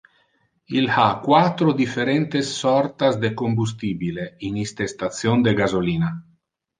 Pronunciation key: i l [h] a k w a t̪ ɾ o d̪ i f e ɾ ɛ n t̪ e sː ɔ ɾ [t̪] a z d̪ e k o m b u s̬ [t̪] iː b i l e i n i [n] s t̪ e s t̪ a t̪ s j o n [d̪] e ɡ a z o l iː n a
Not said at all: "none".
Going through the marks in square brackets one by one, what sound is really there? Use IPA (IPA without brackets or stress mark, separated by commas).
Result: h, t̪, t̪, none, d̪